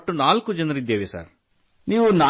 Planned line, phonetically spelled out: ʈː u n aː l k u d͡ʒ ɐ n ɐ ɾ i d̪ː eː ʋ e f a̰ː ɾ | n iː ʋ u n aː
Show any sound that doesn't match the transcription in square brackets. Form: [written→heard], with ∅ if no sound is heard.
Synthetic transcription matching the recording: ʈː u n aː l k u d͡ʒ ɐ n ɐ ɾ i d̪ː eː ʋ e [f→s] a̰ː ɾ | n iː ʋ u n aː